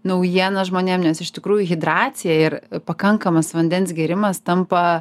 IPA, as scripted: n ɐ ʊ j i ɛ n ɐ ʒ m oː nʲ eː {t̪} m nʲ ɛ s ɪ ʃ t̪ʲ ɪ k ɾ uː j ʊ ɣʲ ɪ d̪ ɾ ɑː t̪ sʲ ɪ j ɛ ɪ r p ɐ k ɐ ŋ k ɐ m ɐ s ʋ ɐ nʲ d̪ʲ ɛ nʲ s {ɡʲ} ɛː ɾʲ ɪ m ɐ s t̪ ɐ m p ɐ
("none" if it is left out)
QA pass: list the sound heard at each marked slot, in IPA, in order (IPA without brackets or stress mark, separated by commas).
none, ɡʲ